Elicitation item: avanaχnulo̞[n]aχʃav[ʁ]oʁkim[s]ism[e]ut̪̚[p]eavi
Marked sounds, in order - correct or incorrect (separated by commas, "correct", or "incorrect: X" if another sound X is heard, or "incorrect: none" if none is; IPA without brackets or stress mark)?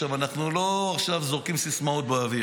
incorrect: none, incorrect: z, correct, incorrect: a, incorrect: b